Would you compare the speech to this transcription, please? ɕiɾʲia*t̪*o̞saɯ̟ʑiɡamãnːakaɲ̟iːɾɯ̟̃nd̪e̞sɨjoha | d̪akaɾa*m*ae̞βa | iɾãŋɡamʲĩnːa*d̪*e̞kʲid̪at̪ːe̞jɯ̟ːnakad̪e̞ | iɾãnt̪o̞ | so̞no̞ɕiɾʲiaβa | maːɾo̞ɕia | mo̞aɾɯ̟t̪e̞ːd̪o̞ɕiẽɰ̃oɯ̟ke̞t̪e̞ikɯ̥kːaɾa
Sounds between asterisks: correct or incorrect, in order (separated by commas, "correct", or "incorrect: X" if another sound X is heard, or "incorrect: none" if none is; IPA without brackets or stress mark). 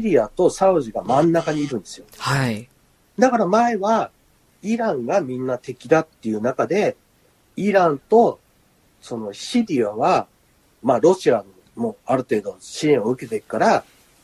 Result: correct, correct, incorrect: t̪